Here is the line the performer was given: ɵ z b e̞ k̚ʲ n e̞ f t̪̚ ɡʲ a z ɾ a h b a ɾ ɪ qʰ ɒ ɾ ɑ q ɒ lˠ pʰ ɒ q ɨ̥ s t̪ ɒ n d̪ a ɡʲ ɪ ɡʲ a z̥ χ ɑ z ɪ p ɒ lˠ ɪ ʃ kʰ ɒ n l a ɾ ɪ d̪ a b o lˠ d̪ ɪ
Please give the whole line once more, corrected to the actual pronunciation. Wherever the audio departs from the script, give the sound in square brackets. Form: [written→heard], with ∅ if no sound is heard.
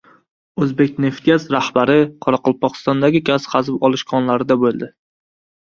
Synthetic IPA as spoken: ɵ z b e̞ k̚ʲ n e̞ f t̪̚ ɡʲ a z ɾ a h b a ɾ ɪ qʰ ɒ ɾ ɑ q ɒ lˠ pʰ ɒ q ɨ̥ s t̪ ɒ n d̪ a ɡʲ ɪ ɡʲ a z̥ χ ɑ z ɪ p ɒ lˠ ɪ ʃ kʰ ɒ n l a ɾ ɪ d̪ a b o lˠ d̪ ɪ